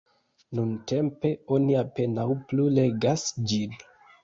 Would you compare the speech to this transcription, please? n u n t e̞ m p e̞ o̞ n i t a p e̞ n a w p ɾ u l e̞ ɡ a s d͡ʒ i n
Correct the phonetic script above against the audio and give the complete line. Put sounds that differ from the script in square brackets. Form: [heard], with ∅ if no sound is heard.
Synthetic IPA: n u n t e̞ m p e̞ o̞ n i [∅] a p e̞ n a w p [l] u l e̞ ɡ a s d͡ʒ i n